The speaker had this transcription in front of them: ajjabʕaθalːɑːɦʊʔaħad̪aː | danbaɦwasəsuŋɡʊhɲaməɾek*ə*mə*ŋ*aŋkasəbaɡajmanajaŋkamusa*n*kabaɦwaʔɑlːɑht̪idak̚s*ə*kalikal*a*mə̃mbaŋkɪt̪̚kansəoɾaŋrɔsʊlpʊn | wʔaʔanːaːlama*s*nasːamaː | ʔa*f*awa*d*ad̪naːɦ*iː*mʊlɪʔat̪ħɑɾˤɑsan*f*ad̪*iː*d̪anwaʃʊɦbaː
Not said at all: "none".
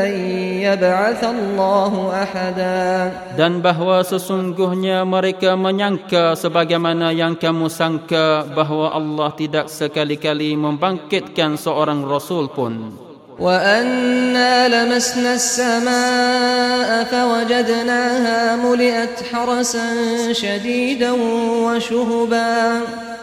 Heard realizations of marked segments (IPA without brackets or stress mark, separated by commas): a, ɲ, ŋ, ə, i, s, f, d͡ʒ, aː, ʃ, iː